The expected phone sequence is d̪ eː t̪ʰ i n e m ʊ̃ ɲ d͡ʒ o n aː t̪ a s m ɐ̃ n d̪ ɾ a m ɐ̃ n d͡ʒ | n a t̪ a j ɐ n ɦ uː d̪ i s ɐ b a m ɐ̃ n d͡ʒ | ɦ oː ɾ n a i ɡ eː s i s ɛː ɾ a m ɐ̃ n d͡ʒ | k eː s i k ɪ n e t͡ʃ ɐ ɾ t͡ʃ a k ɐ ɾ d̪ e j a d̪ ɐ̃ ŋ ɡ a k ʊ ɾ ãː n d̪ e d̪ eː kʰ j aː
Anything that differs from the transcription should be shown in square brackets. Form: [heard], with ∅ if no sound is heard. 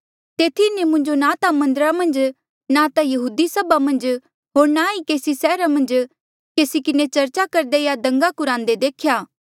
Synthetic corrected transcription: [t̪] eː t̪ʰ i n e m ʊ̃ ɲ d͡ʒ o n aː t̪ a [∅] m ɐ̃ n d̪ ɾ a m ɐ̃ n d͡ʒ | n a t̪ a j ɐ [∅] ɦ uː d̪ i s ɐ b a m ɐ̃ n d͡ʒ | ɦ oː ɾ n a i [k] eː s i s ɛː ɾ a m ɐ̃ n d͡ʒ | k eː s i k ɪ n e t͡ʃ ɐ ɾ t͡ʃ a k ɐ ɾ d̪ e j a d̪ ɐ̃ ŋ ɡ a k ʊ ɾ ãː n d̪ e d̪ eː kʰ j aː